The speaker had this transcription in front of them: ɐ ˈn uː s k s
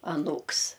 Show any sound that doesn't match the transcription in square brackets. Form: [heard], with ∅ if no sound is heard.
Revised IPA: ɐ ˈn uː [∅] k s